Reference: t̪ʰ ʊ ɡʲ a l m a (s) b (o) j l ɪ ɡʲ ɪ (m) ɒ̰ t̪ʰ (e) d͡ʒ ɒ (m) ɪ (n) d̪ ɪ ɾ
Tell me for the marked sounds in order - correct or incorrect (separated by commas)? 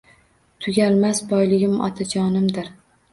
correct, incorrect, correct, incorrect, incorrect, incorrect